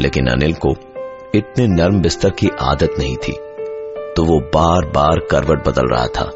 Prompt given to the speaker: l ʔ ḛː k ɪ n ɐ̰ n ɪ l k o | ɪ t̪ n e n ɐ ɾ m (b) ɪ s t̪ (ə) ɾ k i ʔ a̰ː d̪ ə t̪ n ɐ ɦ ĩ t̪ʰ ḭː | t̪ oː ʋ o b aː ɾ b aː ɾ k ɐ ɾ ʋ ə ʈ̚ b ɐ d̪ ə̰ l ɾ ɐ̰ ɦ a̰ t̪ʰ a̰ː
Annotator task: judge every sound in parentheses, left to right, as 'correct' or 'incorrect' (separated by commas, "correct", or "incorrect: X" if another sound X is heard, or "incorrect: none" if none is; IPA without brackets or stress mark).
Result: correct, correct